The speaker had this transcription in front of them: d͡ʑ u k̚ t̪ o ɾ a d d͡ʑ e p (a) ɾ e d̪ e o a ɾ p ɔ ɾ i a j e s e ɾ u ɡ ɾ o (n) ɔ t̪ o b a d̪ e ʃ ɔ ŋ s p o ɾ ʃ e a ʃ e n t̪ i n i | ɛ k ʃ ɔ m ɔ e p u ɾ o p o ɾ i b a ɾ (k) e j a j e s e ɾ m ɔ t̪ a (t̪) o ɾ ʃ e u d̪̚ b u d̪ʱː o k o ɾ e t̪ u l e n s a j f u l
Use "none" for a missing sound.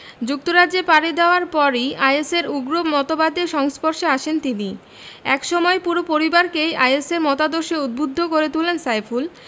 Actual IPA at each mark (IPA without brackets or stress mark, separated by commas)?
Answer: a, m, k, d̪